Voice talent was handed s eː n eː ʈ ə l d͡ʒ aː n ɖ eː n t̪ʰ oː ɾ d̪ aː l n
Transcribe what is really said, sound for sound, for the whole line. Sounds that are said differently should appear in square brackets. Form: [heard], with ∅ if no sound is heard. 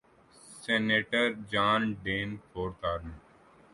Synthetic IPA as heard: s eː n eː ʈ ə [ɾ] d͡ʒ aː n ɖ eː n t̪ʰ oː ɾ [t̪] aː [ɾ] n